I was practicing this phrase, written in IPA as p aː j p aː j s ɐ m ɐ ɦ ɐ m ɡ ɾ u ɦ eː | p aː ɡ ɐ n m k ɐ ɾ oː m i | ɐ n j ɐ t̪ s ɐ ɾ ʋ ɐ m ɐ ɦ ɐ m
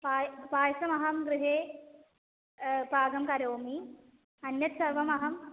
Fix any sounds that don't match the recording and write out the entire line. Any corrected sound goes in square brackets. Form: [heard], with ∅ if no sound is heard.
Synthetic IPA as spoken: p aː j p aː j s ɐ m ɐ ɦ ɐ m ɡ ɾ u ɦ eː | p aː ɡ ɐ [∅] m k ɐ ɾ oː m i | ɐ n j ɐ t̪ s ɐ ɾ ʋ ɐ m ɐ ɦ ɐ m